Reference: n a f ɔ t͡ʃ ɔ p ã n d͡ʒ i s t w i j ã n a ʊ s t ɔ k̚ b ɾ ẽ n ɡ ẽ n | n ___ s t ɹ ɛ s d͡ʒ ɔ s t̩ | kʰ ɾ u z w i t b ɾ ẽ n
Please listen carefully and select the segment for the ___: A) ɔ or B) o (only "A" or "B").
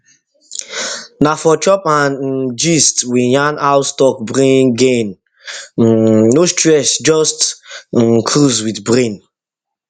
B